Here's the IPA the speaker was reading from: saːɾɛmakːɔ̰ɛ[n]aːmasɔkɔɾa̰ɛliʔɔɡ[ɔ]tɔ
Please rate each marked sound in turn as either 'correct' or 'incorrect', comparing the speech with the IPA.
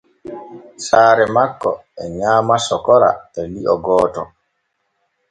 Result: incorrect: ɲ, incorrect: ɔː

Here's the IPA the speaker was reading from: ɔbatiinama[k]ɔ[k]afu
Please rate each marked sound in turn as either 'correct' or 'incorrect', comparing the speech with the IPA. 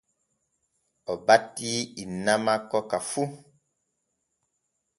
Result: correct, correct

